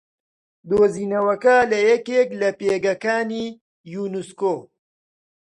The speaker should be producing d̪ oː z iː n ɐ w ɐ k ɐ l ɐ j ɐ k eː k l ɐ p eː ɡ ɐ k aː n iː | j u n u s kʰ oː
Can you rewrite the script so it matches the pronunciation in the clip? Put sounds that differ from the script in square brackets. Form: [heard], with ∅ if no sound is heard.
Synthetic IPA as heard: d̪ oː z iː n ɐ w ɐ k ɐ l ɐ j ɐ k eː k l ɐ p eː ɡ ɐ k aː n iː | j u n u s [k] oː